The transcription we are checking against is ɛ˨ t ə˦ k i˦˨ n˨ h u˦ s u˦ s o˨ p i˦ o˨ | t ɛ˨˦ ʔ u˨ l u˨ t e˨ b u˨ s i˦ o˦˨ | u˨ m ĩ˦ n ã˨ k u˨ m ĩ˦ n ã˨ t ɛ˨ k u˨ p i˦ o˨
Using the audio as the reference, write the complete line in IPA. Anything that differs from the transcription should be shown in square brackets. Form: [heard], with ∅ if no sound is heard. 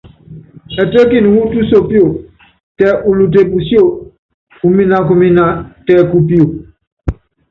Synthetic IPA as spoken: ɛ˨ t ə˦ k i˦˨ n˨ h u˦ [t] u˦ s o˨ p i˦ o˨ | t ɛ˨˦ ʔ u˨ l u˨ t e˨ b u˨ s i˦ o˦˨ | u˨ m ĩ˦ n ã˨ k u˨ m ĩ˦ n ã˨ t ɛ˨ k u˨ p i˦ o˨

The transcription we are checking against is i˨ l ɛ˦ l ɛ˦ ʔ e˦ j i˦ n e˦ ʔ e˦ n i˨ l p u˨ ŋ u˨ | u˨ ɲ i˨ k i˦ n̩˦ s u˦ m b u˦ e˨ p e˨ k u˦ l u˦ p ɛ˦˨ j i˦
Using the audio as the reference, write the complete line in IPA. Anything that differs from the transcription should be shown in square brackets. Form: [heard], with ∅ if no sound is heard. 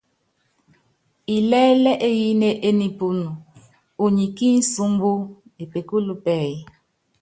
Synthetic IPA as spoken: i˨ l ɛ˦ l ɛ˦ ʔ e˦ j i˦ n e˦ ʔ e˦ n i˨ [∅] p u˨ [n] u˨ | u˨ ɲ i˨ k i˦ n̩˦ s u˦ m b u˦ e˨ p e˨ k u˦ l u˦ p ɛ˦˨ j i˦

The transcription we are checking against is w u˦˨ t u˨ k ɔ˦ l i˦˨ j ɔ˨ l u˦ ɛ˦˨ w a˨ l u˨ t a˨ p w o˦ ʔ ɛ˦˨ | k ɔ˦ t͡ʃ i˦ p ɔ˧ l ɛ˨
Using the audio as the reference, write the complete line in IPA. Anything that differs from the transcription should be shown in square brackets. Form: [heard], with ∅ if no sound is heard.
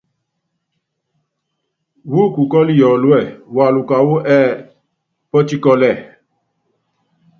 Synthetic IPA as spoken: w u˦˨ [k] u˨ k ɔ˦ l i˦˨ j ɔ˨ l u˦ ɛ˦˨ w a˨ l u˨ [k] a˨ [∅] w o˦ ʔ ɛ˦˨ | [p] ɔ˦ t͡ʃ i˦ [k] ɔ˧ l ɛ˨

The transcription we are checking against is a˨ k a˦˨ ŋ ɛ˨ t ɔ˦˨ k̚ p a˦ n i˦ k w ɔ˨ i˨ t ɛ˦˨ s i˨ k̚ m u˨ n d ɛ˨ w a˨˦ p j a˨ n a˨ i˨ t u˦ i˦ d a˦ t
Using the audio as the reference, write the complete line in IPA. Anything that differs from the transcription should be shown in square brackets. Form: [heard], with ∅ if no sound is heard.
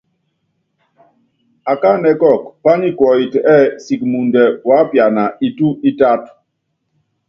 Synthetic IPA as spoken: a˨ k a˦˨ [n] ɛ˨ [k] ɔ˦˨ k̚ p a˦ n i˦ k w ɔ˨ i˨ t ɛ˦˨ s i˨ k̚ m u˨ n d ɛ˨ w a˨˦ p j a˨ n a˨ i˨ t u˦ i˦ [t] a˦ t

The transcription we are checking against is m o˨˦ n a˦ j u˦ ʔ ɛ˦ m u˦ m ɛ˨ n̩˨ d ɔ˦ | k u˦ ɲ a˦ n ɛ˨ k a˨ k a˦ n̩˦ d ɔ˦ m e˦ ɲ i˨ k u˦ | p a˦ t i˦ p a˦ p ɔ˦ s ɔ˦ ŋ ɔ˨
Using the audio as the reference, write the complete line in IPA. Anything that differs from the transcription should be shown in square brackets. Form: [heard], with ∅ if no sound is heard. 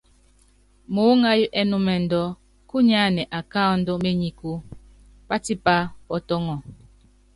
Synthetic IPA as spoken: m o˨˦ [ŋ] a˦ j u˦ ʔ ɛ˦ [n] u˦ m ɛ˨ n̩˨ d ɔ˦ | k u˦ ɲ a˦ n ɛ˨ [ʔ] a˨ k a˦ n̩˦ d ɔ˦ m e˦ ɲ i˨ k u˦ | p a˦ t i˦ p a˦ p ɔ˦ [t] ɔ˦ ŋ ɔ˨

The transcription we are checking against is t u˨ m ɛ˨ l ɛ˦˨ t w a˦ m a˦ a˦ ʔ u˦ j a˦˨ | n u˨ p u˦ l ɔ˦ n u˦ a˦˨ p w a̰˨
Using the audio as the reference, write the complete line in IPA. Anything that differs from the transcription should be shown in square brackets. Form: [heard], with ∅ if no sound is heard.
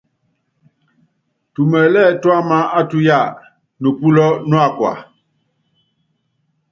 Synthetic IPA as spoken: t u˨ m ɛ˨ l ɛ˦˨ t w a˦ m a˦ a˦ [t] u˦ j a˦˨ | n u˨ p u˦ l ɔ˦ n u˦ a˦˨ [k] w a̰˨

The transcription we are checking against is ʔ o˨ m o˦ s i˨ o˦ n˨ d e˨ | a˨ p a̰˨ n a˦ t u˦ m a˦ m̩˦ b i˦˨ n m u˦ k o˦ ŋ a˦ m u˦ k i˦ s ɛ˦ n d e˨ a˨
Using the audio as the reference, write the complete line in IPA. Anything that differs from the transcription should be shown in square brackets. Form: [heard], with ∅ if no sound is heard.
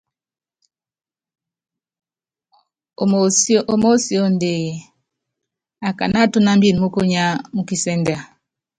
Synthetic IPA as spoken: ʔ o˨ m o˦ s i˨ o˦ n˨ d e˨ | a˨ [k] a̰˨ n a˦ t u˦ [n] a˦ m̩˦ b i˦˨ n m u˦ k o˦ [ɲ] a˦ m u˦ k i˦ s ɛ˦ n d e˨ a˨

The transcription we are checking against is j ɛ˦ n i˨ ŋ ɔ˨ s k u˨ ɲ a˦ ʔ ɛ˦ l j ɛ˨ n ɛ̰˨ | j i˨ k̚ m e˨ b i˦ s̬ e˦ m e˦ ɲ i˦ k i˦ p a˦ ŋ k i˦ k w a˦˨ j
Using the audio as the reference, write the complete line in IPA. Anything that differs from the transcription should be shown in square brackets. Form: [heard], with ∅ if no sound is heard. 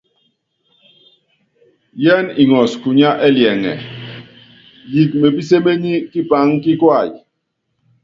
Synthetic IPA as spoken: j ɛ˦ n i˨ ŋ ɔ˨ s k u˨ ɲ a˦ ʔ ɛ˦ l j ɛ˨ [ŋ] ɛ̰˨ | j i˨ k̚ m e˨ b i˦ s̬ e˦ m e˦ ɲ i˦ k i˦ p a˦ ŋ k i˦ k w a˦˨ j

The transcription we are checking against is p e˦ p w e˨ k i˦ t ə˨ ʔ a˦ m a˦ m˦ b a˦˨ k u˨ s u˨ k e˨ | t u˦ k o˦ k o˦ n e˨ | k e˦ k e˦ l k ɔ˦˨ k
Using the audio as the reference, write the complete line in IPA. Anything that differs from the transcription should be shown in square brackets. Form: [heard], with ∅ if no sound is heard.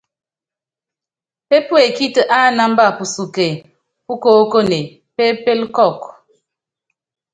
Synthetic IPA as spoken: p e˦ p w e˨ k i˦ t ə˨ ʔ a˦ [n] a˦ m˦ b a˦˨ [p] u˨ s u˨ k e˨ | [p] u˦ k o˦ k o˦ n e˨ | [p] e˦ [p] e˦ l k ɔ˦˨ k

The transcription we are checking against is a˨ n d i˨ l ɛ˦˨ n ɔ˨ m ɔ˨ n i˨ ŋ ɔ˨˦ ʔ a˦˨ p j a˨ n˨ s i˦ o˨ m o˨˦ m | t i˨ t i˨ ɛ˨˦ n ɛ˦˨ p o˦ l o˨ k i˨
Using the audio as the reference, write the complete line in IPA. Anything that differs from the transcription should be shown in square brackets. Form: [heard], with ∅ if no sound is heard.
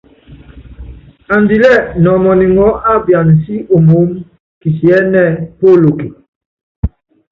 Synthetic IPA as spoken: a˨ n d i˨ l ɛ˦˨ n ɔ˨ m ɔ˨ n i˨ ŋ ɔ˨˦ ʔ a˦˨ [b] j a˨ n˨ s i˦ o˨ m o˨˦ m | [k] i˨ [s] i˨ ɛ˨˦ n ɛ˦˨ p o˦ l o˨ k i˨

